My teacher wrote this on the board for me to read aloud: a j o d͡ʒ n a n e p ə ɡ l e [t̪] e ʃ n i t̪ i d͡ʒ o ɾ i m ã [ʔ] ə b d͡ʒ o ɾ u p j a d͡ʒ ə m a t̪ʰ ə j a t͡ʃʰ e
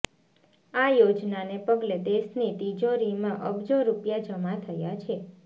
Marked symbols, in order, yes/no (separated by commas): no, yes